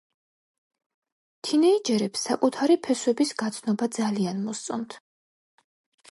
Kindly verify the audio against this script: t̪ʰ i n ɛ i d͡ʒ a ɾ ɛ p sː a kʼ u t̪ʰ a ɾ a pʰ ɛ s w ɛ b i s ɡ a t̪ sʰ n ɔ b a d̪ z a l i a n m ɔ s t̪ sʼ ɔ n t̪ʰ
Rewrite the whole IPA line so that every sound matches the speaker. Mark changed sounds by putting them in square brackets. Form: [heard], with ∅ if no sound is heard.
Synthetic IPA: t̪ʰ i n ɛ i d͡ʒ [ɛ] ɾ ɛ p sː a kʼ u t̪ʰ a ɾ [i] pʰ ɛ s w ɛ b i s ɡ a t̪ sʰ n ɔ b a d̪ z a l i a n m ɔ s t̪ sʼ ɔ n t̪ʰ